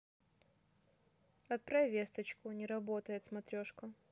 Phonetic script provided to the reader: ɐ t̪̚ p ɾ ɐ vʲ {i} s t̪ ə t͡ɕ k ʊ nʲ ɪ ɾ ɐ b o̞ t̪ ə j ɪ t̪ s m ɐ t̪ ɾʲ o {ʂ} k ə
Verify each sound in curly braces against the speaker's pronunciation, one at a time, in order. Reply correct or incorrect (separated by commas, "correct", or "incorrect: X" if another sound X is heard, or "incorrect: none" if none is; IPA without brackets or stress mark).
incorrect: e, correct